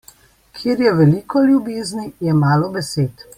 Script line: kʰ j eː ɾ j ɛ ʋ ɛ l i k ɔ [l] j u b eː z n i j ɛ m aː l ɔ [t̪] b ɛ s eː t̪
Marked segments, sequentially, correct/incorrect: correct, incorrect

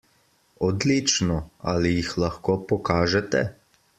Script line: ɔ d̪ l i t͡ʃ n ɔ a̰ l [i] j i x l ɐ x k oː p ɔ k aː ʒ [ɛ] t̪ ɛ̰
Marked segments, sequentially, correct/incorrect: correct, correct

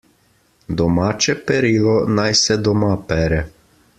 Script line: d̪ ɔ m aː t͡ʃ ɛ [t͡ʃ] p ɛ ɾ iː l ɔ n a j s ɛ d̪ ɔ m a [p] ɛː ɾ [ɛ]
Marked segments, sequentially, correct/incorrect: incorrect, correct, correct

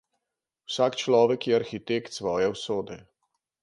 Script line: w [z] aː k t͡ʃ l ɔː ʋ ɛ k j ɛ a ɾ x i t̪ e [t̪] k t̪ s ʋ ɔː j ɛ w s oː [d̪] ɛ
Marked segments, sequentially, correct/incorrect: incorrect, incorrect, correct

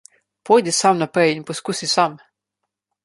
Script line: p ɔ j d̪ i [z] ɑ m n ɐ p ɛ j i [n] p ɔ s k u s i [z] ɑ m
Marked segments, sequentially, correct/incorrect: incorrect, correct, incorrect

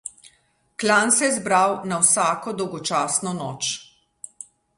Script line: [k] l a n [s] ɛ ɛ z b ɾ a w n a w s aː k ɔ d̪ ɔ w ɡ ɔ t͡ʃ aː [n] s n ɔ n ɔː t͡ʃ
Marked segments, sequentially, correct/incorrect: correct, correct, incorrect

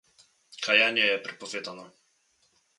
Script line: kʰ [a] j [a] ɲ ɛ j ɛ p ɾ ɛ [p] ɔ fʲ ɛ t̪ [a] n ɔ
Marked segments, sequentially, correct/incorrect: correct, correct, correct, correct

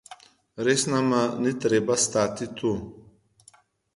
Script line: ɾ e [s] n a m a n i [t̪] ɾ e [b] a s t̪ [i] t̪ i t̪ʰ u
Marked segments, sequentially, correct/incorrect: correct, correct, correct, incorrect

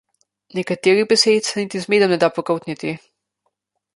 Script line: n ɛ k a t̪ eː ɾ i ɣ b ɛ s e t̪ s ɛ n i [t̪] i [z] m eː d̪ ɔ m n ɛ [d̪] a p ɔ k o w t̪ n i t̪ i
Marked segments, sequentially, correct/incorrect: correct, correct, correct

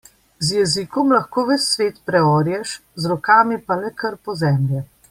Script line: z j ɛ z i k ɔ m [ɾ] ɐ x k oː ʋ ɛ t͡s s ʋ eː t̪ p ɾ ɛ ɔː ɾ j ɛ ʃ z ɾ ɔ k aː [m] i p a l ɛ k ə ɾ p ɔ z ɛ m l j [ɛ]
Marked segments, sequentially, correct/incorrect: incorrect, correct, correct

